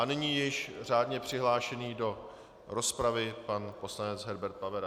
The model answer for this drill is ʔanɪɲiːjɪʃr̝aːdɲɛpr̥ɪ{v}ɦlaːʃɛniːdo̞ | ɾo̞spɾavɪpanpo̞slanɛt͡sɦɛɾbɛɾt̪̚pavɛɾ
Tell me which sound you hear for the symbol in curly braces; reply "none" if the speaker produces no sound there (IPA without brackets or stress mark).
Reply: none